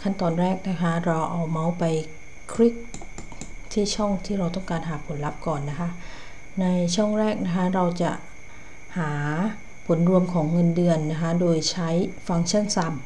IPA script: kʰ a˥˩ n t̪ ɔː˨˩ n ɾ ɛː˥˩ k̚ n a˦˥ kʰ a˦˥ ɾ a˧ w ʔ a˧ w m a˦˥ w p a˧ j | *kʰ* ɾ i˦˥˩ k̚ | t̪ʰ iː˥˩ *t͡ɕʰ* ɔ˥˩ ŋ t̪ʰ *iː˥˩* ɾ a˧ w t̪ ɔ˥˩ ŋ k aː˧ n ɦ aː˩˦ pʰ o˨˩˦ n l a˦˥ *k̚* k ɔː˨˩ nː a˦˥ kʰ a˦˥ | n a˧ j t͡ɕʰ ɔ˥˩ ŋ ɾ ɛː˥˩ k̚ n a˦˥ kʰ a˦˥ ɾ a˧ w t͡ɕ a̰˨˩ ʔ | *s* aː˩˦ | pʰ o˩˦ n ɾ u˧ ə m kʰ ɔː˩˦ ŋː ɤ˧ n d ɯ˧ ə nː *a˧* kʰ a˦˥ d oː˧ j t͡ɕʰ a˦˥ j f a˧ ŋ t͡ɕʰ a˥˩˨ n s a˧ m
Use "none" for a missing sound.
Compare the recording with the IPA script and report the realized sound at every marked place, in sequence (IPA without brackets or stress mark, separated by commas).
kʰ, t͡ɕʰ, iː˥˩, p̚, h, a˦˥